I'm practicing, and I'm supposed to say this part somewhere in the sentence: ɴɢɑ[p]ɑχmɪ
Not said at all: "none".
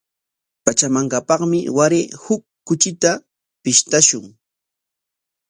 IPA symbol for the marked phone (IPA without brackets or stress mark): p